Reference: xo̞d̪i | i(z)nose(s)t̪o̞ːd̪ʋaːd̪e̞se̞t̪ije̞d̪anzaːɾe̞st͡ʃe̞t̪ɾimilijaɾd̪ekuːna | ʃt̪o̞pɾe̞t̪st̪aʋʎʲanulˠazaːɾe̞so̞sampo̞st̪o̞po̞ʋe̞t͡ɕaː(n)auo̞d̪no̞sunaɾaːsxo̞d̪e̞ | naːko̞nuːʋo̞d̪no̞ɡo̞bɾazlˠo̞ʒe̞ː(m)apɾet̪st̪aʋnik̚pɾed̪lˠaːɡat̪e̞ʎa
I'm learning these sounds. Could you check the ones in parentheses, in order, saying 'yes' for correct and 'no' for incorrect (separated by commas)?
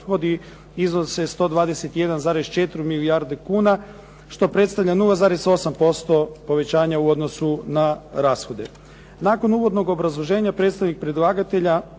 yes, yes, no, no